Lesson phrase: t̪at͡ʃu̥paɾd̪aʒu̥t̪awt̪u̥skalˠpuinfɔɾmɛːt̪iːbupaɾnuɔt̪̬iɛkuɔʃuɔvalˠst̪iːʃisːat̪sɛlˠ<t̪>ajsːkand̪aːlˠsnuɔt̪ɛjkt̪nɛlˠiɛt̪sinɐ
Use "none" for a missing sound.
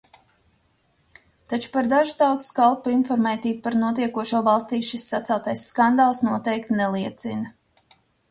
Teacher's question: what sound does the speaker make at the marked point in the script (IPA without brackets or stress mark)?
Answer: t̪